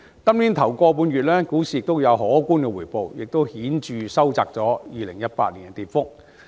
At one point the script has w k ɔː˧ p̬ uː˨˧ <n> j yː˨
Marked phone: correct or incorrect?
correct